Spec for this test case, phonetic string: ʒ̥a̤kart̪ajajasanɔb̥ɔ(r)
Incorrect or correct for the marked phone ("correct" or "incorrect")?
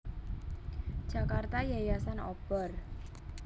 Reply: correct